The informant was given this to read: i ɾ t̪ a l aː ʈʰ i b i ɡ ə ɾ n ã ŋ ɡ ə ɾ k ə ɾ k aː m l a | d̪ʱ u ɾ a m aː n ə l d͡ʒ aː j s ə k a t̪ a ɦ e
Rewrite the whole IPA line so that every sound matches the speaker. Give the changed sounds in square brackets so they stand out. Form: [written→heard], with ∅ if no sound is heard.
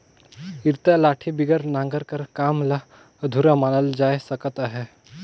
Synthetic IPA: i ɾ t̪ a l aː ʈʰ i b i ɡ ə ɾ n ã ŋ ɡ ə ɾ k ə ɾ k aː m l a | d̪ʱ u ɾ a m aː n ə l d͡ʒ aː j s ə k [a→ə] t̪ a ɦ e